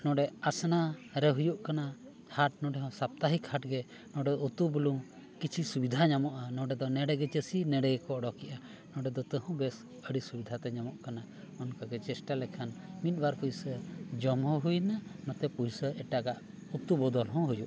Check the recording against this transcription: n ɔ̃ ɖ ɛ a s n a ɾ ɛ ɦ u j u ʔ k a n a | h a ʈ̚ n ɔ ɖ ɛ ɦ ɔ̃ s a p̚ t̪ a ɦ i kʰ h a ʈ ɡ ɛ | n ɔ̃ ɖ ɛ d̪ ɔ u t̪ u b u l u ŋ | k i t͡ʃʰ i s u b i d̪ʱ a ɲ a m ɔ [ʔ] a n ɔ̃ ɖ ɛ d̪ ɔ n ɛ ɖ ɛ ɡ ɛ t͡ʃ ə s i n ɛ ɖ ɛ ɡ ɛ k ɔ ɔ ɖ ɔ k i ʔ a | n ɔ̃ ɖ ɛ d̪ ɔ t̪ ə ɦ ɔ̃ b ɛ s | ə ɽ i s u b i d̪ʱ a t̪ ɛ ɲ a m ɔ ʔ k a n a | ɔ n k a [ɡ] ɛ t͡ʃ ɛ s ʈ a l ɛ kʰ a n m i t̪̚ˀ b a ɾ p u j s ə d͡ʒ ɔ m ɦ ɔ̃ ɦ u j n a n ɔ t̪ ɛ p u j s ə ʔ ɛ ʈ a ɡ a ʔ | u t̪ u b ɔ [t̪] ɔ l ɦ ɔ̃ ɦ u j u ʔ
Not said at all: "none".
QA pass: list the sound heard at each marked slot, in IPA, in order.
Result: ʔ, ɡ, d̪

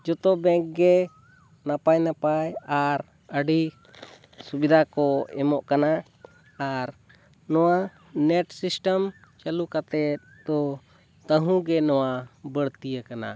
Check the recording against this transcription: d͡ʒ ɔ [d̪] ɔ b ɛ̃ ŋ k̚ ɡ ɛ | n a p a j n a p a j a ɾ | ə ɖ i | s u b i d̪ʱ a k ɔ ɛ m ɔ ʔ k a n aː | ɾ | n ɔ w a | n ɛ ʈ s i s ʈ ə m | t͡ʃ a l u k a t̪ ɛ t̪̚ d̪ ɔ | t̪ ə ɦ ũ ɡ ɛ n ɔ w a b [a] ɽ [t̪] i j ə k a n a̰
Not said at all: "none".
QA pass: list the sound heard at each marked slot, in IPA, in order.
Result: t̪, ə, t̪

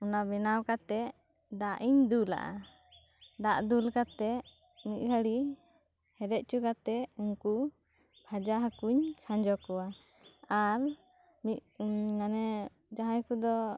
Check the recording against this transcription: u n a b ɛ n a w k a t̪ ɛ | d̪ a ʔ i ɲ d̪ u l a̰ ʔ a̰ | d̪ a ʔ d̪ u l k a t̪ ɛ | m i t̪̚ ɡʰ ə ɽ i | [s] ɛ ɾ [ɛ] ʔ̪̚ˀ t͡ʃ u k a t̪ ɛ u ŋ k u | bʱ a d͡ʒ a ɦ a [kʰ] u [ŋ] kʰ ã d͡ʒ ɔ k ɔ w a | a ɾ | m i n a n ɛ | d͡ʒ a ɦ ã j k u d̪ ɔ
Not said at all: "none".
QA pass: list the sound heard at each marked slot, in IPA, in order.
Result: h, ɛ, k, ɲ

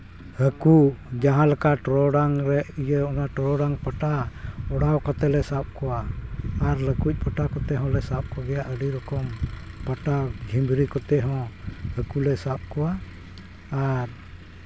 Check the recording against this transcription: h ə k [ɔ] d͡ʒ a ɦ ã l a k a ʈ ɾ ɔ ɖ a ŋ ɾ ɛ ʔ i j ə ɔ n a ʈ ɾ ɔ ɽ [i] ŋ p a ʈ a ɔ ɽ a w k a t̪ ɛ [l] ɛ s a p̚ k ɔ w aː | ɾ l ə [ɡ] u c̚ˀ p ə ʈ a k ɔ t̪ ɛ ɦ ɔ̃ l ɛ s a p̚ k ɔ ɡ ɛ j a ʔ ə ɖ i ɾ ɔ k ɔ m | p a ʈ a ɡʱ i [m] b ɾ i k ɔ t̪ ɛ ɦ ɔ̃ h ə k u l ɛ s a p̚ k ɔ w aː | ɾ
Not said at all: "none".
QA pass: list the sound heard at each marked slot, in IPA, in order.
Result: u, a, l, k, m

